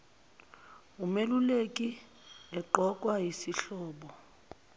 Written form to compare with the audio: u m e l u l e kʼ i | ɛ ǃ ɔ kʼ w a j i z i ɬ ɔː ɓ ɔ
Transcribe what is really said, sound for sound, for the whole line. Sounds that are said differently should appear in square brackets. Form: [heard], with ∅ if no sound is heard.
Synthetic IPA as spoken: u m e l u l e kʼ i | ɛ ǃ ɔ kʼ w a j i [s] i ɬ ɔː ɓ ɔ